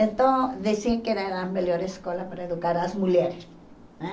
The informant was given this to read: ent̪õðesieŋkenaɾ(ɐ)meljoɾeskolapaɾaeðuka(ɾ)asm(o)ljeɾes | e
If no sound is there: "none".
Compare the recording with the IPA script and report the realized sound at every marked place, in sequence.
a, ɾ, u

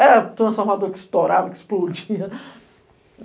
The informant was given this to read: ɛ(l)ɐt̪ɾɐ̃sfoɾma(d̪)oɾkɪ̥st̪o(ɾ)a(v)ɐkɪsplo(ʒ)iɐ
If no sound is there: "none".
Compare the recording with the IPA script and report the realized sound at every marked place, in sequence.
ɾ, d̪, ɾ, v, d͡ʒ

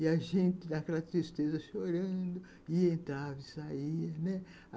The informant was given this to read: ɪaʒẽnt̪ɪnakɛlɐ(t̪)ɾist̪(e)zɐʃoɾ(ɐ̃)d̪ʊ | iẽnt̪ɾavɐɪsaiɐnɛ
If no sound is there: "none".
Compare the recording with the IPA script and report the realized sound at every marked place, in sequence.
t̪, e, ɐ̃

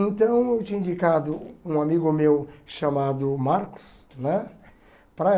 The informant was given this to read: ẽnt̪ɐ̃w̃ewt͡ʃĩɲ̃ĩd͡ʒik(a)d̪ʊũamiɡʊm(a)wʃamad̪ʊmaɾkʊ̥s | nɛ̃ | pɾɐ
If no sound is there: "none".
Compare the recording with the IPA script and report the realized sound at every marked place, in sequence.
a, e

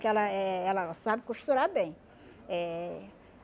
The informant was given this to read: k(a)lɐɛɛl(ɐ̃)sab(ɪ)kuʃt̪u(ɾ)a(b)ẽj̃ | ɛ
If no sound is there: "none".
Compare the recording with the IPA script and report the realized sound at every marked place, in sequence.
ɛ, ɐ, ɪ, ɾ, b

